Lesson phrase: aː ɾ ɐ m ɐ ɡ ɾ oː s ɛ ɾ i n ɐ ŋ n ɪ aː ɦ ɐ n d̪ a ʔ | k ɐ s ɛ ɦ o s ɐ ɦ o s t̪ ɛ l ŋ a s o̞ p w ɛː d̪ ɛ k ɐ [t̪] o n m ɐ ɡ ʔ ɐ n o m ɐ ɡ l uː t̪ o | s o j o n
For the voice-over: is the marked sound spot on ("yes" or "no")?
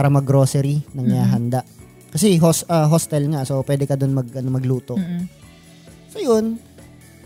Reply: no